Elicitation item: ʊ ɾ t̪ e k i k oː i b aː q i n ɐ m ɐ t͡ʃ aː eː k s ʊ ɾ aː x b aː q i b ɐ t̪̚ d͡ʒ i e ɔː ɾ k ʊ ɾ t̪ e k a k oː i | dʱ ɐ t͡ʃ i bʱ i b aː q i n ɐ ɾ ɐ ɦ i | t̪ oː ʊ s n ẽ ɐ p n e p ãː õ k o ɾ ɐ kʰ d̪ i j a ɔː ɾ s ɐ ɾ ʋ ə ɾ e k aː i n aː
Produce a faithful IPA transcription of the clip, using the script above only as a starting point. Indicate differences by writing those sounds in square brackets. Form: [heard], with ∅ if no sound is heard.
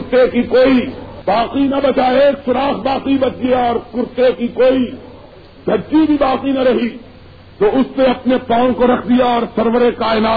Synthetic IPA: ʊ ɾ t̪ e k i k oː i b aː q i n ɐ [b] ɐ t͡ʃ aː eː k s ʊ ɾ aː x b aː q i b ɐ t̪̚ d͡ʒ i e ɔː ɾ k ʊ ɾ t̪ e k [i] k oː i | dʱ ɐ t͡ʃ i bʱ i b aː q i n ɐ ɾ ɐ ɦ i | t̪ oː ʊ s n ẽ ɐ p n e p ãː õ k o ɾ ɐ kʰ d̪ i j a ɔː ɾ s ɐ ɾ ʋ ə ɾ e k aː [ɪ] n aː